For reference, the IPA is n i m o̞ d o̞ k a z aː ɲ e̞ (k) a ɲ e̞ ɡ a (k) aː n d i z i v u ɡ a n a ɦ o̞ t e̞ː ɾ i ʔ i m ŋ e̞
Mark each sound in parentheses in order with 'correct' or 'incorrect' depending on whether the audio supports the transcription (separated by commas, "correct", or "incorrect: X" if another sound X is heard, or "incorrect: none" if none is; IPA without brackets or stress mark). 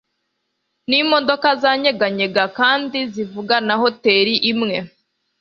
incorrect: ɡ, correct